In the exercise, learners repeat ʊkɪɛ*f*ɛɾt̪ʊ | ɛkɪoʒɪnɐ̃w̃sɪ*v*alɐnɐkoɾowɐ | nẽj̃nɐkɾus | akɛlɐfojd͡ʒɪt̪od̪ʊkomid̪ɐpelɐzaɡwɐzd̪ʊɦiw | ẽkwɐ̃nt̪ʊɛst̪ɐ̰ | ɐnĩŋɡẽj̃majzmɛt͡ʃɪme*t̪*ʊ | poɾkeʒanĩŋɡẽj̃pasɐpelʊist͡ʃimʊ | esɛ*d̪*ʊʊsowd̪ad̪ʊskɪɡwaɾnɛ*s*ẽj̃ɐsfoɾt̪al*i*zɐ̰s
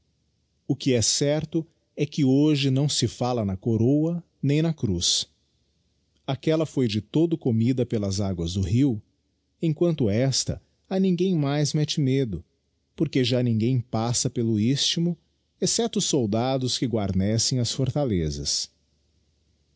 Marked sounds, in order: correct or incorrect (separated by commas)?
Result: incorrect, incorrect, incorrect, incorrect, correct, incorrect